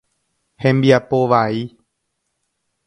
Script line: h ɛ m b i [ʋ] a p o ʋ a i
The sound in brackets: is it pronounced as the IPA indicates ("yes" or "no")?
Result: no